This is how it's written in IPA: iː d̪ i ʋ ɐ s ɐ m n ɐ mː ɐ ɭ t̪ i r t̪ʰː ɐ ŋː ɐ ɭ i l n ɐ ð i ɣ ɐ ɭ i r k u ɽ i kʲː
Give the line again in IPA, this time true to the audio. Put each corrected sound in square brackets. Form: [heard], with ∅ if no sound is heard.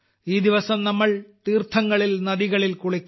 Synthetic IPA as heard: iː d̪ i ʋ ɐ s ɐ m n ɐ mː ɐ ɭ t̪ [iː] r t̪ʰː ɐ ŋː ɐ ɭ i l n ɐ ð i ɣ ɐ ɭ i [l] k u [ɭ] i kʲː